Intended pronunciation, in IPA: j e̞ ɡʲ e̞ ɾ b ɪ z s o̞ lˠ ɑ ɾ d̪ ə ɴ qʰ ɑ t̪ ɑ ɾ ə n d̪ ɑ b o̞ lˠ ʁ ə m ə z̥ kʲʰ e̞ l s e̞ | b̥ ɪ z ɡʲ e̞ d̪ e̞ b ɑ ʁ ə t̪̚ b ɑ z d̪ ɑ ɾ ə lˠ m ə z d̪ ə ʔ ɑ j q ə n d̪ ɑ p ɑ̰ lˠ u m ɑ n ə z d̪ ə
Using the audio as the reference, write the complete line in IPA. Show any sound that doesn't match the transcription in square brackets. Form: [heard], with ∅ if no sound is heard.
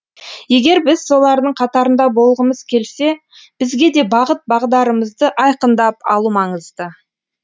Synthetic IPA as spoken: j e̞ ɡʲ e̞ ɾ b ɪ z s o̞ lˠ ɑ ɾ d̪ ə ɴ qʰ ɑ t̪ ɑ ɾ ə n d̪ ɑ b o̞ lˠ ʁ ə m ə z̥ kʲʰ e̞ l s e̞ | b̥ ɪ z ɡʲ e̞ d̪ e̞ b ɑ ʁ ə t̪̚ b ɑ [ʁ] d̪ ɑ ɾ ə [∅] m ə z d̪ ə ʔ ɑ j q ə n d̪ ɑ p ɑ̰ lˠ u m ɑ [ɴ] ə z d̪ ə